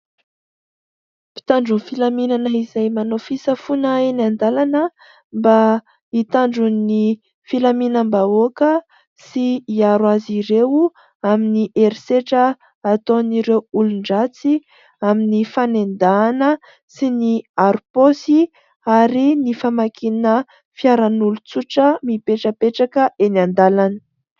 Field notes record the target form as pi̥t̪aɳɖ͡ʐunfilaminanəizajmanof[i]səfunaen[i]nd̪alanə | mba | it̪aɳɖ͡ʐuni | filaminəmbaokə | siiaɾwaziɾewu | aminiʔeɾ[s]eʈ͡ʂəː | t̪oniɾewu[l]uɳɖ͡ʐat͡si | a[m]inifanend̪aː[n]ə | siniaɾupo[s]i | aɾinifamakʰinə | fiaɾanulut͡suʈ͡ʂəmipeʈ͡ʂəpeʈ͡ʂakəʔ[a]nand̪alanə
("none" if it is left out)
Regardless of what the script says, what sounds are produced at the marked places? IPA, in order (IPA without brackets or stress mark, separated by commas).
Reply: i, a, s, l, m, n, s, e